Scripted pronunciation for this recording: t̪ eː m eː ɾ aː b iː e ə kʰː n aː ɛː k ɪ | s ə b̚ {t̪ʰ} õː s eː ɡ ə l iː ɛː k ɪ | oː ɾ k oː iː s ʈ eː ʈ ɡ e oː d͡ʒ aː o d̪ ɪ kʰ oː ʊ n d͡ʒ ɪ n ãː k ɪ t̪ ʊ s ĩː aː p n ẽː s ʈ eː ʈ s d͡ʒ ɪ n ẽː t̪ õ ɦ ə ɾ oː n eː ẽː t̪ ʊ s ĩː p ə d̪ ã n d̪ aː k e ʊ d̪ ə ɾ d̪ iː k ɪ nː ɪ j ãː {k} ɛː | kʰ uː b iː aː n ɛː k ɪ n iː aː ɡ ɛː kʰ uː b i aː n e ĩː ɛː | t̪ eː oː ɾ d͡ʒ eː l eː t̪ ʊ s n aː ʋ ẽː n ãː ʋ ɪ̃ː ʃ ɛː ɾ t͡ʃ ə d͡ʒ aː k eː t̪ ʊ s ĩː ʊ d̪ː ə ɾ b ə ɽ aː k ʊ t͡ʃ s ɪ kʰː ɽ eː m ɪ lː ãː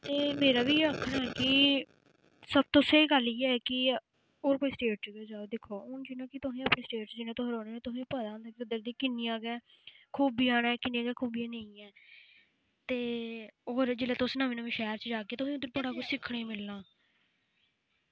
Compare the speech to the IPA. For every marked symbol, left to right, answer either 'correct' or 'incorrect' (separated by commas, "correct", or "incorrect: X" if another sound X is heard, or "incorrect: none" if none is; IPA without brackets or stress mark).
incorrect: t̪, incorrect: ɡ